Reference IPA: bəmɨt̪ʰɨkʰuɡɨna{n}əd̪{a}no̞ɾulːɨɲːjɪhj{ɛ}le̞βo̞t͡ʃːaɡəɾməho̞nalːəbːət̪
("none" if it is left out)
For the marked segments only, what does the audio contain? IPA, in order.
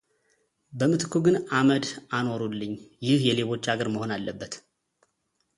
m, a, ɛ

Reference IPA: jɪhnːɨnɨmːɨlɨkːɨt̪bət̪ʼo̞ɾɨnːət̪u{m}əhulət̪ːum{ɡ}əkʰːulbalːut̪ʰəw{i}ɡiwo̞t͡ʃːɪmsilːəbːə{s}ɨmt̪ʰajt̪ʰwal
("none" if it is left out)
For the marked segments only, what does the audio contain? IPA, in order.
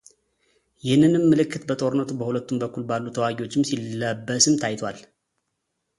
b, b, a, s

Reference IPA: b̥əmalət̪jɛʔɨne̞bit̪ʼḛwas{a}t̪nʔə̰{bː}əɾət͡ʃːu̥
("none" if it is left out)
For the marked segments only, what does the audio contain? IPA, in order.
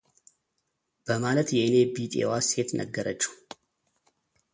e, ɡː

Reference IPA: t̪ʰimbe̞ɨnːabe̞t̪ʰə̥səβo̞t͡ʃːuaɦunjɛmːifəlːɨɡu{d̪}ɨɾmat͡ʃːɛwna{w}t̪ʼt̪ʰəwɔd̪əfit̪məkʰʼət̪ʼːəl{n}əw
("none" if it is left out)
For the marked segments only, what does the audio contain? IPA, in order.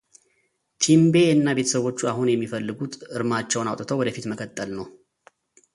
t̪, w, n

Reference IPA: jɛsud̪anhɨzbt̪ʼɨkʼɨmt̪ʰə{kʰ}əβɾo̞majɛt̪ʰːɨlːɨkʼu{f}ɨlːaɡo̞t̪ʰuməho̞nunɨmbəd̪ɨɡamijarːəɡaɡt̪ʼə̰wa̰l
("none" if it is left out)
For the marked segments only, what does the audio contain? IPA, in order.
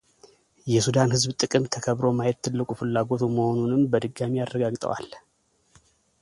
kʰ, f

